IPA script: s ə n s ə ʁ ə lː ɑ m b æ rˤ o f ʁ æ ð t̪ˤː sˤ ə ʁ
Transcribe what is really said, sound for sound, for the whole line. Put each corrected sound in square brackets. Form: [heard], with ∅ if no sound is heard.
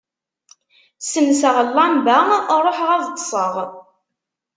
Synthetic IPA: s ə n s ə ʁ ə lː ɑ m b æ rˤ o [ħ] ʁ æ ð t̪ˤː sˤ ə ʁ